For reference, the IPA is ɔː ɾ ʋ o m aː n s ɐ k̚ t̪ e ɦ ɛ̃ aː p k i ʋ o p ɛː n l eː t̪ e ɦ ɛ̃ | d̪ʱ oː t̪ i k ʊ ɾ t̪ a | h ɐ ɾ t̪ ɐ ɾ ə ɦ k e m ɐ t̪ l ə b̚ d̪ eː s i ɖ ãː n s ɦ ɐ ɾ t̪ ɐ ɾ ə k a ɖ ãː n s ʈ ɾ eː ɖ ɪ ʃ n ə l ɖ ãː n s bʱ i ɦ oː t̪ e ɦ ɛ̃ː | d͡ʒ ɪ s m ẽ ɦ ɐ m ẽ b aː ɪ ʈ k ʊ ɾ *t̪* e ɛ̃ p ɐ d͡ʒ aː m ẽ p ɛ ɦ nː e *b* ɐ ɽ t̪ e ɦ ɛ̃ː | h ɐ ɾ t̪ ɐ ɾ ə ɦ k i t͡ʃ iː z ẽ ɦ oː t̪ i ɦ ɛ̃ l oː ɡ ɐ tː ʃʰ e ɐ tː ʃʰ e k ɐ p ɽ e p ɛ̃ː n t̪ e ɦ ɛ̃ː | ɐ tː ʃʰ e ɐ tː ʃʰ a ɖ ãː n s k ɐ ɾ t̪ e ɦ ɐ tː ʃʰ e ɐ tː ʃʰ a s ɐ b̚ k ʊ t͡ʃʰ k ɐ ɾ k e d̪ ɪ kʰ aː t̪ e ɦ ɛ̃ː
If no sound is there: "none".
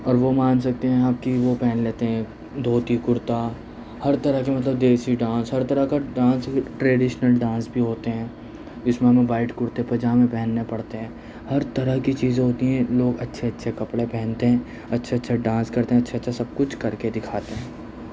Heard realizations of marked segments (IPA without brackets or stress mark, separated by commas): t̪, p